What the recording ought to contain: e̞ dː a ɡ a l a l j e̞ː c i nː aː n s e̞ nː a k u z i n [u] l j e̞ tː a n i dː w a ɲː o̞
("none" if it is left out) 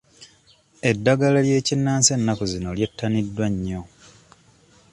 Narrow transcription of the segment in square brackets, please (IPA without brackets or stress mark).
o